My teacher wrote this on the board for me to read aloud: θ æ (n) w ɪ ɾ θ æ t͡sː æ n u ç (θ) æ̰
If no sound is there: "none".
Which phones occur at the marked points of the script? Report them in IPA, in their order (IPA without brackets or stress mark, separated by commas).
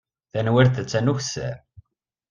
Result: n, s